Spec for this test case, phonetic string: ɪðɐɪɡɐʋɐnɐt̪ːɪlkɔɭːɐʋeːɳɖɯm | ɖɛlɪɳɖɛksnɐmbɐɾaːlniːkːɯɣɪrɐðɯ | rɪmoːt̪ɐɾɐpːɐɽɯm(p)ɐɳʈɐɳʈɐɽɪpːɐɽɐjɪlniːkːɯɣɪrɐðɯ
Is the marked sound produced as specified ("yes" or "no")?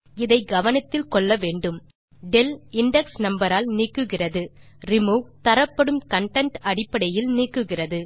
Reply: no